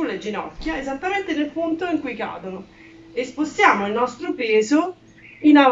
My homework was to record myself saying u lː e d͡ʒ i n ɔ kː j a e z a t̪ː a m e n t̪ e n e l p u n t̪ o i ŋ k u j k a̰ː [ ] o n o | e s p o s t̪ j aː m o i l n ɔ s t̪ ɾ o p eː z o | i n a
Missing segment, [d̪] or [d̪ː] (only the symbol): d̪